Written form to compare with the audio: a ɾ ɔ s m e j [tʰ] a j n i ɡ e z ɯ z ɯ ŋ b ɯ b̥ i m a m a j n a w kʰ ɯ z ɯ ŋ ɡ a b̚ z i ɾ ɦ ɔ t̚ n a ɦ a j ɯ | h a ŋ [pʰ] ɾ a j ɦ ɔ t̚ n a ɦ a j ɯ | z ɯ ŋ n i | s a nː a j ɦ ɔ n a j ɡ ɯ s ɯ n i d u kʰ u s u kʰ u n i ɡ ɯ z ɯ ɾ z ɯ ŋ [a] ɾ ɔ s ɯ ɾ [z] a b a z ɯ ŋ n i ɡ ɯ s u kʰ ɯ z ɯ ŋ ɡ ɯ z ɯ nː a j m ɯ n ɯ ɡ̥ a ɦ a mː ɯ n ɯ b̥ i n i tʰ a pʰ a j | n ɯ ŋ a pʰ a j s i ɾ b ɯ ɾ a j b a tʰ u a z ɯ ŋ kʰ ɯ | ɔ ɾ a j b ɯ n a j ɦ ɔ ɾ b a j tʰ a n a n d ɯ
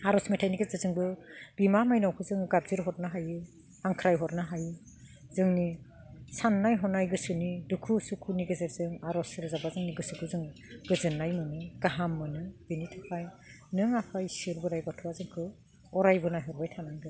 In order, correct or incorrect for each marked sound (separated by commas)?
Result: correct, incorrect, correct, correct